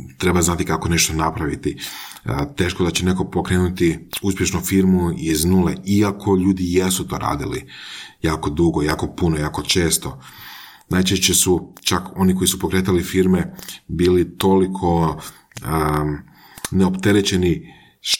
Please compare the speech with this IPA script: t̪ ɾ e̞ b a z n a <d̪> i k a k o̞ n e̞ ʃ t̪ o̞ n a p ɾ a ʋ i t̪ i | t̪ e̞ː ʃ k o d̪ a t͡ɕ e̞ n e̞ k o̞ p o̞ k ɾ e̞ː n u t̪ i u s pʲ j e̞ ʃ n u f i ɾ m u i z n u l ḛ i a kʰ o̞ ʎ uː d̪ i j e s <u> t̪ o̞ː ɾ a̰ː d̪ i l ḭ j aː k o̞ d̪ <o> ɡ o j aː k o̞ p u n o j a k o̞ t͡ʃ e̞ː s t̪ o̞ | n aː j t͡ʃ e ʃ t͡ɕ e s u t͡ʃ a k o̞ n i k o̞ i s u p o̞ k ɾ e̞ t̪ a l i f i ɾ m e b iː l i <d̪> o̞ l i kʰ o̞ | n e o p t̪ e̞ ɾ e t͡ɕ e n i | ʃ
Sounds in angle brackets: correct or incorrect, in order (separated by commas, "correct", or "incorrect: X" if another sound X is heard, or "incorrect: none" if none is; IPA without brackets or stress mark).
incorrect: t̪, correct, incorrect: u, incorrect: t̪